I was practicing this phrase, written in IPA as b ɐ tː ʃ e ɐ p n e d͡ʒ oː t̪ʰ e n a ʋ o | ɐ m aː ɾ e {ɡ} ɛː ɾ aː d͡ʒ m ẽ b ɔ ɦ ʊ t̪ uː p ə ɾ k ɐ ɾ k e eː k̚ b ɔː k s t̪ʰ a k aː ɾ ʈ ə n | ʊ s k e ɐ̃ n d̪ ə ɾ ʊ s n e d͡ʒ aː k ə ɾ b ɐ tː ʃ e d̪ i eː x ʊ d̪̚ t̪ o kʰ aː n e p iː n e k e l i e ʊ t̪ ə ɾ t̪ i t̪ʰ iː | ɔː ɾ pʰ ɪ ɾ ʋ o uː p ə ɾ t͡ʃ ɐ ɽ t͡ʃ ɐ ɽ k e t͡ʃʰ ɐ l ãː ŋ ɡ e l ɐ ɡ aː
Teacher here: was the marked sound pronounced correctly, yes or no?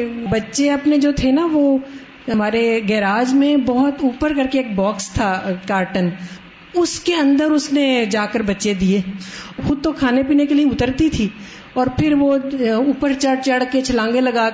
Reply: yes